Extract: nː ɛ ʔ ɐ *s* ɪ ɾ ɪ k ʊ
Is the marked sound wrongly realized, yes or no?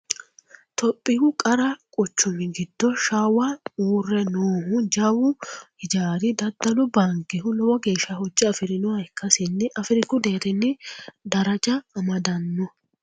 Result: yes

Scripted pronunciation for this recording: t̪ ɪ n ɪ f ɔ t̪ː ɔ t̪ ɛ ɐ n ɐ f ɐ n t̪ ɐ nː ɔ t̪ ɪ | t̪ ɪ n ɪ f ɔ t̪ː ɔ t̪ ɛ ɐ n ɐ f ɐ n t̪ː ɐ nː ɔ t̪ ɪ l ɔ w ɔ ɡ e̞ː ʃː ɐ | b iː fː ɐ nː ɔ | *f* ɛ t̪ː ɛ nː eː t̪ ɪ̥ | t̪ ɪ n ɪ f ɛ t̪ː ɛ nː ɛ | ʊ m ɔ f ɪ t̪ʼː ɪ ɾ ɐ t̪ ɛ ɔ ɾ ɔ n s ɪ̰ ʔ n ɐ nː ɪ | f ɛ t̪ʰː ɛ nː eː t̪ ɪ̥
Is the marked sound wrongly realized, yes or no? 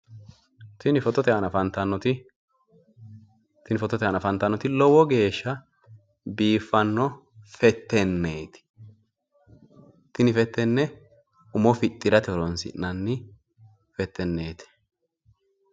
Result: no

